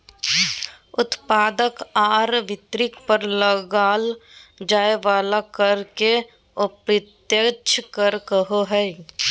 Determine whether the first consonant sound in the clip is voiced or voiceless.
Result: voiceless